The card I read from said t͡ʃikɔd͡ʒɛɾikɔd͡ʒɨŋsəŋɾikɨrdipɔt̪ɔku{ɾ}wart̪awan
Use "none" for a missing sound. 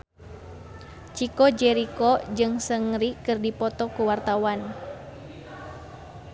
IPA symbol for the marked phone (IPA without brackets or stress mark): none